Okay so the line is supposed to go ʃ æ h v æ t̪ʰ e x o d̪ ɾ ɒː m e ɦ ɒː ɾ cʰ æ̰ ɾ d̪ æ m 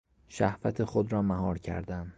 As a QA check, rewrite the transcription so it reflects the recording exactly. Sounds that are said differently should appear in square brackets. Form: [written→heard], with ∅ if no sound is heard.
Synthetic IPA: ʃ æ h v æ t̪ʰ e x o d̪ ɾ ɒː m [e→æ] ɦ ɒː ɾ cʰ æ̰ ɾ d̪ æ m